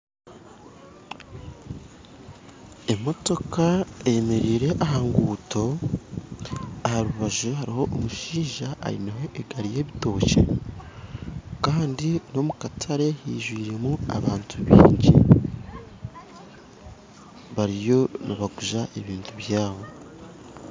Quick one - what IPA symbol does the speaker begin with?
e̞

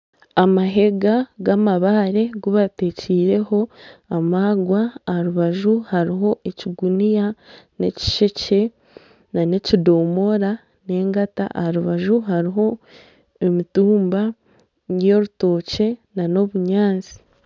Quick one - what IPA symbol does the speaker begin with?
a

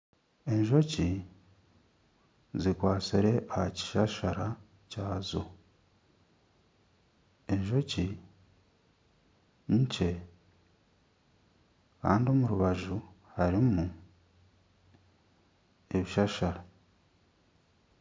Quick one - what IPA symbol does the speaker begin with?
e̞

